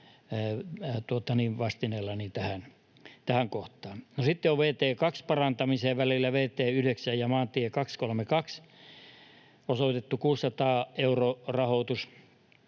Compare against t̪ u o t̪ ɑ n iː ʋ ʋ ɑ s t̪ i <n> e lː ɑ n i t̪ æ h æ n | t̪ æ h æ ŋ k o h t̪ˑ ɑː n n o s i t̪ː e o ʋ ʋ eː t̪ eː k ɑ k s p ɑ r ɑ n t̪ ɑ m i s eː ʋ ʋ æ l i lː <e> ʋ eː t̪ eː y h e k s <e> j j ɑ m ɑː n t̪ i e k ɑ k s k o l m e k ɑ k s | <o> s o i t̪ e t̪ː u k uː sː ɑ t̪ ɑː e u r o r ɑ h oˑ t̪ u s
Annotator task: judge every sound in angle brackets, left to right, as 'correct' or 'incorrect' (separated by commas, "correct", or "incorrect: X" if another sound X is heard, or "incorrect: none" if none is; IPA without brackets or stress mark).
correct, incorrect: æ, incorrect: æ, correct